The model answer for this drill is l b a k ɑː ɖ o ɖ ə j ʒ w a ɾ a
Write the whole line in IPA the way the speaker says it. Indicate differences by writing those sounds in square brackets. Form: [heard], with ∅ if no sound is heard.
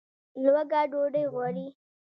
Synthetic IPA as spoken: l [w] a [ɡ] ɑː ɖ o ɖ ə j [ɣ] w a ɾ [i]